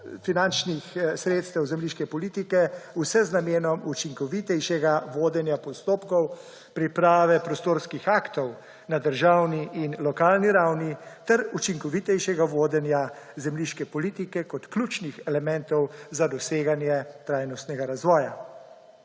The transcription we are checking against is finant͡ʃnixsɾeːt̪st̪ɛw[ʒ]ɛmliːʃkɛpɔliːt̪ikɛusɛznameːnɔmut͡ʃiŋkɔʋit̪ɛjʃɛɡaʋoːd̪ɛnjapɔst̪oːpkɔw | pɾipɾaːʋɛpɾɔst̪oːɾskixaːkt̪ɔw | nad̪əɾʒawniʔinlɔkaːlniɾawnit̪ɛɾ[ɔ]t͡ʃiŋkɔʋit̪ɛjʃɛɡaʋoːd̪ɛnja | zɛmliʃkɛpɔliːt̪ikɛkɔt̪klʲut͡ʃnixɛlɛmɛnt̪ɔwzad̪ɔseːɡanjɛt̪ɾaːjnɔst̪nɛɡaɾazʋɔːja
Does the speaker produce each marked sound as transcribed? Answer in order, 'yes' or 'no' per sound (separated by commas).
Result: no, no